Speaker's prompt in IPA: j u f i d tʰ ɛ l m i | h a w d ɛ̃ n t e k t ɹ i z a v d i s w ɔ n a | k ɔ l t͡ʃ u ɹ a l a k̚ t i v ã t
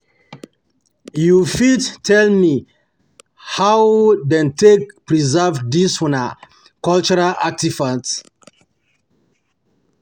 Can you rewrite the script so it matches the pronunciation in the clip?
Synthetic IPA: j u f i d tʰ ɛ l m i | h a w d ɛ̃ n t e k p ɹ i z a v d i s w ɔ n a | k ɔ l t͡ʃ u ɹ a l a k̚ t i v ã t